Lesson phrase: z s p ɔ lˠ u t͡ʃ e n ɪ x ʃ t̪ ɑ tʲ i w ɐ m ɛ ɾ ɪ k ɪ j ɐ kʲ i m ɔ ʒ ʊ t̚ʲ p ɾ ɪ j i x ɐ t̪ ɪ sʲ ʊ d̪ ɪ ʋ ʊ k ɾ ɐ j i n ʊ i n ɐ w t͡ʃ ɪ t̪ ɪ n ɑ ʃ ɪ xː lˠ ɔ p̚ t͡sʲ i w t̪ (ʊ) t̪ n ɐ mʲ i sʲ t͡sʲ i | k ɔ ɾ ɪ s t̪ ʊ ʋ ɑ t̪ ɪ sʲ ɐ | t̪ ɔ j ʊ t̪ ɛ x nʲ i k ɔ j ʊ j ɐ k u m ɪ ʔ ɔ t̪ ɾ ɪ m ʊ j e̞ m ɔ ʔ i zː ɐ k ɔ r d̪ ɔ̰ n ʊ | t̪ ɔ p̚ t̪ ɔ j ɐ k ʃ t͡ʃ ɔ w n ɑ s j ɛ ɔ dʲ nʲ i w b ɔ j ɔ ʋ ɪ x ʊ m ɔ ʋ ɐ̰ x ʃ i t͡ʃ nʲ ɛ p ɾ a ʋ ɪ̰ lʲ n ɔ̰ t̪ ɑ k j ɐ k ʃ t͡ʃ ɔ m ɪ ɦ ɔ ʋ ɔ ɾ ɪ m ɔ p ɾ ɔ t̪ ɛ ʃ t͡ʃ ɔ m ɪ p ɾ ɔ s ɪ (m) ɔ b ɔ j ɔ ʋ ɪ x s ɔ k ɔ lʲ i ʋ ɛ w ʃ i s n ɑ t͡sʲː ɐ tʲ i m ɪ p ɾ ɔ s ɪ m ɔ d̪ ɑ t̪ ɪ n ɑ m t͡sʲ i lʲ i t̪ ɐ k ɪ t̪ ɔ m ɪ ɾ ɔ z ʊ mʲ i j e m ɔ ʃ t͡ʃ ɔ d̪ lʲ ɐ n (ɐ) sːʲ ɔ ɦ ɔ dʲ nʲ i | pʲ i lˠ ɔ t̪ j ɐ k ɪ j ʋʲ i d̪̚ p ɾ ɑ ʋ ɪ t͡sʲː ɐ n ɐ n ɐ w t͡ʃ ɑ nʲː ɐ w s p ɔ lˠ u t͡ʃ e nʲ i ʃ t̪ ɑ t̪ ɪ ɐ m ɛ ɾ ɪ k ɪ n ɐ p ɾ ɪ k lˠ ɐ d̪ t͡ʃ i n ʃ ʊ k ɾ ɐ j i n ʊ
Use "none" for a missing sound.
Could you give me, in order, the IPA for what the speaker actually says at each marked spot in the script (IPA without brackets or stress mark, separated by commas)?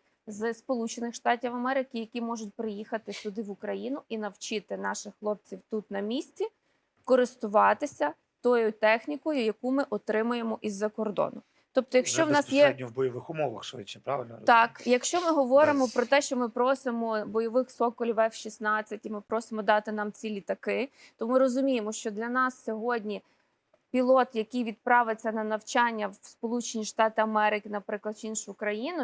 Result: u, m, ɑ